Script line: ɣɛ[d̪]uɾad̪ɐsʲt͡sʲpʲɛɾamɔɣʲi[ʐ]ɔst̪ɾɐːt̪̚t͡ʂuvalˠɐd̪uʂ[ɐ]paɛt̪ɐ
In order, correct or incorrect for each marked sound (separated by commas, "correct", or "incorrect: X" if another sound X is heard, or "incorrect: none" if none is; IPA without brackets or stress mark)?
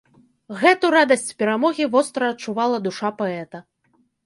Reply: incorrect: t̪, incorrect: v, incorrect: a